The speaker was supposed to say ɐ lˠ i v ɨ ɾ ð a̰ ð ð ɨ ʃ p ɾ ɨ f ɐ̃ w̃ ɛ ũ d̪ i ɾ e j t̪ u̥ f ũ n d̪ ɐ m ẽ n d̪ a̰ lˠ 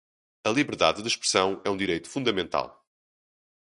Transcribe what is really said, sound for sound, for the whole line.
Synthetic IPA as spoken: ɐ lˠ i β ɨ ɾ ð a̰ ð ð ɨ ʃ p ɾ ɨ s ɐ̃ w̃ ɛ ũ d̪ i ɾ e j t̪ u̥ f ũ n d̪ ɐ m ẽ n t̪ a̰ lˠ

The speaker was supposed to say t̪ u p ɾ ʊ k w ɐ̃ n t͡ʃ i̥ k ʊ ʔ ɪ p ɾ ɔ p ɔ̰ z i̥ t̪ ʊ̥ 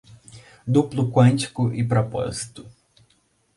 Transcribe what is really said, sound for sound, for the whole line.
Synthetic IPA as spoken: d̪ u p l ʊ k w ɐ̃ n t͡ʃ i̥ k ʊ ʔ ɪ p ɾ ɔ p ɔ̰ z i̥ t̪ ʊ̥

